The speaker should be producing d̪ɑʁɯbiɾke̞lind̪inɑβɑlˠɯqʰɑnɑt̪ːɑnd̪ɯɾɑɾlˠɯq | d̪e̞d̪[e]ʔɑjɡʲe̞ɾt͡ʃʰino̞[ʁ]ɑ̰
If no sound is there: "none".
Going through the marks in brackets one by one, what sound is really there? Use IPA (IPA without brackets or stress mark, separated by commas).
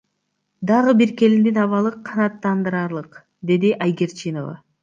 i, v